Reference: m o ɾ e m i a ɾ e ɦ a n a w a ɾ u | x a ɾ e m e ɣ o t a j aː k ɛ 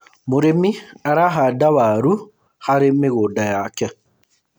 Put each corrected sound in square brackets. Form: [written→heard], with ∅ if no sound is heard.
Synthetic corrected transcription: m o ɾ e m i a ɾ [e→a] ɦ a [n→d] a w a ɾ u | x a ɾ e m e ɣ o [t→d] a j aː k ɛ